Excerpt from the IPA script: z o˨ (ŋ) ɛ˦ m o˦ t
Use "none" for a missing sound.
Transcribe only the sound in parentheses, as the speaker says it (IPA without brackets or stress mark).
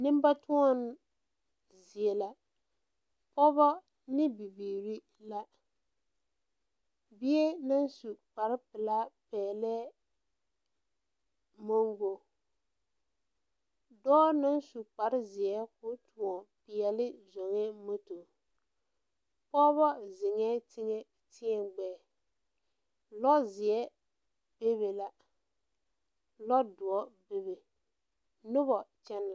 ŋ